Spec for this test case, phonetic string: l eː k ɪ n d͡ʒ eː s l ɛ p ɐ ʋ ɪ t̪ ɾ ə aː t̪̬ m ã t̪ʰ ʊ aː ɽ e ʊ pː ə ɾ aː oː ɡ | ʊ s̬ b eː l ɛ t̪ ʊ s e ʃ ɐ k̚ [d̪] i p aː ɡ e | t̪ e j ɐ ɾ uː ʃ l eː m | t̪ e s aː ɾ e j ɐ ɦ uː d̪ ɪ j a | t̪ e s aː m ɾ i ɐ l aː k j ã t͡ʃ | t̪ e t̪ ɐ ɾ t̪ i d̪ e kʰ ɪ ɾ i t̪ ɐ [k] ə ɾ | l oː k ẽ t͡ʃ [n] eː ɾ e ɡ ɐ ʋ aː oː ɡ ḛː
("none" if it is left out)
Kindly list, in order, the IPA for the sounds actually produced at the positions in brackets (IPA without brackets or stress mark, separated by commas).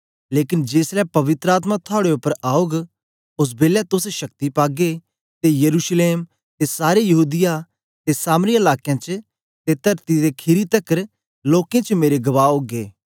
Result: t̪, k, m